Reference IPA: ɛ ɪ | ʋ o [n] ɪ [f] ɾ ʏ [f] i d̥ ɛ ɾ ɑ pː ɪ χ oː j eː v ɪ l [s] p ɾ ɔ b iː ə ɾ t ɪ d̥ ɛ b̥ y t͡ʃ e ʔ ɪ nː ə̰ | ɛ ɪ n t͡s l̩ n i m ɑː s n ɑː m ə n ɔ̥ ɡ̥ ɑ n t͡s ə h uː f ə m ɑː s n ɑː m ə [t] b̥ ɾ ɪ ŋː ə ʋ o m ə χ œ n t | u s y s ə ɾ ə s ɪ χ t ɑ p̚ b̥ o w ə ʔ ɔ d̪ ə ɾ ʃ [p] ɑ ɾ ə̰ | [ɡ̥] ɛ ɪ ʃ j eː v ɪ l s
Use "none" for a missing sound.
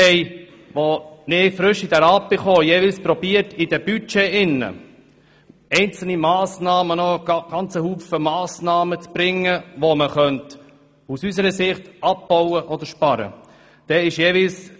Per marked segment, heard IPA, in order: n, f, ʃ, s, t͡s, p, d̥

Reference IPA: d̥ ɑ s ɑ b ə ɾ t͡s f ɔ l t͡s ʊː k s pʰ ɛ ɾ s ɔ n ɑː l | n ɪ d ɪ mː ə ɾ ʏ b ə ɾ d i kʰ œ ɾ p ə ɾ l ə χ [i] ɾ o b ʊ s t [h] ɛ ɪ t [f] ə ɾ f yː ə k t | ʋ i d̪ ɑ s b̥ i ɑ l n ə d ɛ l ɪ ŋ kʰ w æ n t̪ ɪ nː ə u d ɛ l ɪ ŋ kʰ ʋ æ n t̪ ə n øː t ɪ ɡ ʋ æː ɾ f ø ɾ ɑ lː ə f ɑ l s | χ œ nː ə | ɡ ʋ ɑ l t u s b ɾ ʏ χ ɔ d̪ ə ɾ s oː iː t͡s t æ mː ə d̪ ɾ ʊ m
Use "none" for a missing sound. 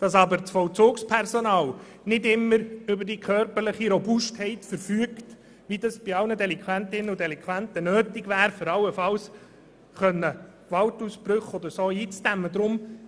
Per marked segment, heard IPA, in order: i, h, f

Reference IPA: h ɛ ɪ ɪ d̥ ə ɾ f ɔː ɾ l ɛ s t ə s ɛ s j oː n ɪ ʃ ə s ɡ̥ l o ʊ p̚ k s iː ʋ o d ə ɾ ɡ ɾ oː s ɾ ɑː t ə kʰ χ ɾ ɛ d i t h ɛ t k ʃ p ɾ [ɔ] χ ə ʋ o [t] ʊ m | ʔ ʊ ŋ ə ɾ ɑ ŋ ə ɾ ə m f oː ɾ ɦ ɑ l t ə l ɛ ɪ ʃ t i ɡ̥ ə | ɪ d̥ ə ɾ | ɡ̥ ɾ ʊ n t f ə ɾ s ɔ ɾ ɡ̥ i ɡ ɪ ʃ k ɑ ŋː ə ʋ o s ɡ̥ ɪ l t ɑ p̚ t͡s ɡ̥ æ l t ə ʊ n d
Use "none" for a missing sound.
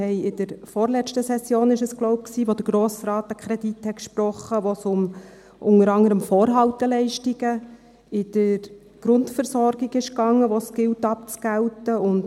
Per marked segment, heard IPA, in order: ɔ, s

